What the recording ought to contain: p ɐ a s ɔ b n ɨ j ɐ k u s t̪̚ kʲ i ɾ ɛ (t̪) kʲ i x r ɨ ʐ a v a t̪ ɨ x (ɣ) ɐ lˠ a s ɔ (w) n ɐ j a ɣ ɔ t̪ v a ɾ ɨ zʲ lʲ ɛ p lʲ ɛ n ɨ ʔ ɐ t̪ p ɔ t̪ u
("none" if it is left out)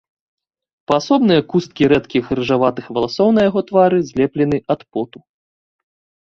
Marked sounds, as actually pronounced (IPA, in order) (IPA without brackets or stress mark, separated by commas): t̪, v, w